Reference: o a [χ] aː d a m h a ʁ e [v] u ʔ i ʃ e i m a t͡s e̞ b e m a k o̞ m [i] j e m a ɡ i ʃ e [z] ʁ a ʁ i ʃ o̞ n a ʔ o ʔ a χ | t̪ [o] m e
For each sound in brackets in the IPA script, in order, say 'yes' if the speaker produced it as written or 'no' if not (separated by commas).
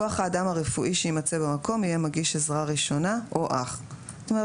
yes, no, yes, yes, yes